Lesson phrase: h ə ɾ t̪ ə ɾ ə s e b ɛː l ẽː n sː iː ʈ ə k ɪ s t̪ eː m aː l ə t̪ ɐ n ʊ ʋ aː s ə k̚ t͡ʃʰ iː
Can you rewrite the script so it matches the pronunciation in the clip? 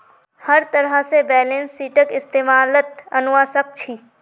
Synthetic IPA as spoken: h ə ɾ t̪ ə ɾ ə s e b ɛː l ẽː n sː iː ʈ ə k ɪ s t̪ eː m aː l ə t̪ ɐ n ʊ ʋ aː s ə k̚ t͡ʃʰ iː